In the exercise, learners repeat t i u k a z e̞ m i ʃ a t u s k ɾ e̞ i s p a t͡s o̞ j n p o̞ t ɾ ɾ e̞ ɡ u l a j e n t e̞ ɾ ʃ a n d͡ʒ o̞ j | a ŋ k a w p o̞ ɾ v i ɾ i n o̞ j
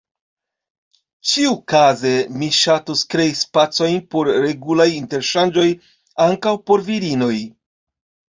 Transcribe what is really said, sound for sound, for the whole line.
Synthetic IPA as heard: t͡ʃ i u k a z e̞ m i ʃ a t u s k ɾ e̞ i s p a t͡s o̞ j n p o̞ ɾ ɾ e̞ ɡ u l a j i n t e̞ ɾ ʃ a n d͡ʒ o̞ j | a ŋ k a w p o̞ ɾ v i ɾ i n o̞ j